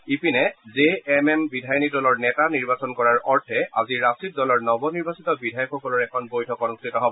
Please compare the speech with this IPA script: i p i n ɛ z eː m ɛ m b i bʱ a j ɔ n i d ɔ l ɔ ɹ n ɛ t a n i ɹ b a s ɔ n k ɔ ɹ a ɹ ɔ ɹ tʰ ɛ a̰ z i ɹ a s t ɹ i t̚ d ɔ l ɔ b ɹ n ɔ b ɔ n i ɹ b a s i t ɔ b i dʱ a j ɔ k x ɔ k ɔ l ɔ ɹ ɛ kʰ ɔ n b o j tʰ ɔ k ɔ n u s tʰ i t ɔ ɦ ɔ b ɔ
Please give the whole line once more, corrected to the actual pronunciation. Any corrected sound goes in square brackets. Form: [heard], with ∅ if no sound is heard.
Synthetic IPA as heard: i p i n ɛ z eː m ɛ m b i [dʱ] a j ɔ n i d ɔ l ɔ ɹ n ɛ t a n i ɹ b a s ɔ n k ɔ ɹ a ɹ ɔ ɹ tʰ ɛ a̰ z i ɹ a s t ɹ i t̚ d ɔ l ɔ [∅] ɹ n ɔ b ɔ n i ɹ b a s i t ɔ b i dʱ a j ɔ k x ɔ k ɔ l ɔ ɹ ɛ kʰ ɔ n b o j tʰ ɔ k ɔ n u s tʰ i t ɔ ɦ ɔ b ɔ